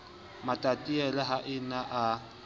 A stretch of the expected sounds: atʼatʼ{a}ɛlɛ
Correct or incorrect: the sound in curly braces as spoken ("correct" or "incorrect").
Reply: incorrect